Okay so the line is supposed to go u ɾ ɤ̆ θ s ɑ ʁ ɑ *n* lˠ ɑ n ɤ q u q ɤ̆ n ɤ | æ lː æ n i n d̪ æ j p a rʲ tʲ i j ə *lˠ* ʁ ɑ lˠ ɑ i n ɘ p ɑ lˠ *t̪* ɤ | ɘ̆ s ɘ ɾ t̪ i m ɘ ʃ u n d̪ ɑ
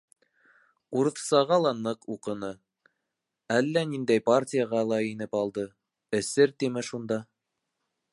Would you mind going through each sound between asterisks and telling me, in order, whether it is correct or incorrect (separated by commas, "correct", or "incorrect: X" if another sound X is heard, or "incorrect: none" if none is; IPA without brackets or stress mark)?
incorrect: none, incorrect: none, incorrect: d̪